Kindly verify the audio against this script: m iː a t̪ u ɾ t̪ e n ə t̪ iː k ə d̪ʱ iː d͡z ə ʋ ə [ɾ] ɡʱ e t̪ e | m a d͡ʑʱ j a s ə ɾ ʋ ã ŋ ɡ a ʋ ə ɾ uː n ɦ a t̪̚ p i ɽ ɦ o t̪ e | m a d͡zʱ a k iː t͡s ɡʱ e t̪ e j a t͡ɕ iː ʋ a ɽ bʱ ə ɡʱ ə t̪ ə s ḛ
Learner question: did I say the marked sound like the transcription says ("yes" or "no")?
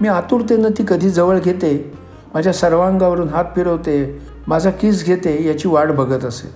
no